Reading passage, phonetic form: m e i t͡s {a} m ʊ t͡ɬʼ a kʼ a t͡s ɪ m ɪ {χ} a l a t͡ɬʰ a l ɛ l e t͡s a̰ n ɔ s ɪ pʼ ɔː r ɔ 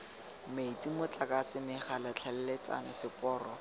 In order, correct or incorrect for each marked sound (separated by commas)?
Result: incorrect, correct